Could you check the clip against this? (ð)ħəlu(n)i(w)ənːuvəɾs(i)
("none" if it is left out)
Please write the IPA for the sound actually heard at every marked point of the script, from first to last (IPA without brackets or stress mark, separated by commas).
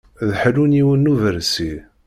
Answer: ð, n, w, i